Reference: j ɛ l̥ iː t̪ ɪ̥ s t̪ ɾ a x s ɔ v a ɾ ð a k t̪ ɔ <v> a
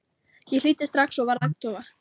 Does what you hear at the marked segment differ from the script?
no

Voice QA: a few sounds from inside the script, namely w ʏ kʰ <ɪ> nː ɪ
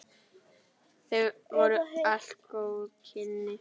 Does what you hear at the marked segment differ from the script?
no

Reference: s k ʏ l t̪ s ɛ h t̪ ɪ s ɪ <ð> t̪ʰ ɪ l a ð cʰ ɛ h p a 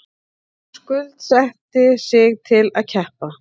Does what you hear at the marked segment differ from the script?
yes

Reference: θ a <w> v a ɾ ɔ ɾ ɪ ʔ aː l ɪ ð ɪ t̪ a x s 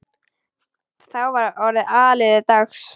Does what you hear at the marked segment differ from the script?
no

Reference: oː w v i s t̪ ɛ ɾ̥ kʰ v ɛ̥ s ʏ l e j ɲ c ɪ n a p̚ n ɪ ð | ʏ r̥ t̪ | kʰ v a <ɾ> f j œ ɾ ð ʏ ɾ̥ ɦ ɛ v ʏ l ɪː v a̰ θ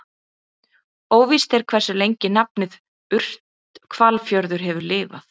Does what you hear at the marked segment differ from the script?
yes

